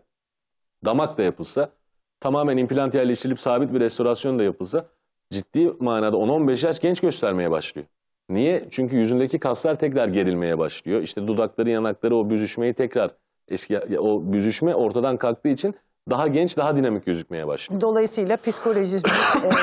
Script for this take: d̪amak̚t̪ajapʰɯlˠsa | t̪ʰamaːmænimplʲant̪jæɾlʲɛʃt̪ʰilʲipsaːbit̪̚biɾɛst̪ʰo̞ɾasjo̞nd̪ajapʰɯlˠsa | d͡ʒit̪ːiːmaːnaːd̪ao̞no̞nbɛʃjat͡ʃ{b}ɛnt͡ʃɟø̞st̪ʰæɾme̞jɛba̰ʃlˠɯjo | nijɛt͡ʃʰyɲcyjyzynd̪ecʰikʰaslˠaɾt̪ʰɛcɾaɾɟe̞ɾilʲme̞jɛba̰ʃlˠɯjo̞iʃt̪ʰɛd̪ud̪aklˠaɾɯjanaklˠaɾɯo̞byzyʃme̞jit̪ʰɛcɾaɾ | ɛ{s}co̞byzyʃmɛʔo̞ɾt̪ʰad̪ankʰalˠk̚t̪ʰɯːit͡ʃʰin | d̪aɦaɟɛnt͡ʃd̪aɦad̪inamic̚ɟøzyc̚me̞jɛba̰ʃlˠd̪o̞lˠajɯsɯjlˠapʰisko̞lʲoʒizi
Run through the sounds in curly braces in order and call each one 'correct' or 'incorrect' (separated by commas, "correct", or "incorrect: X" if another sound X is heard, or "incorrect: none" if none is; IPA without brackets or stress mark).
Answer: incorrect: ɟ, correct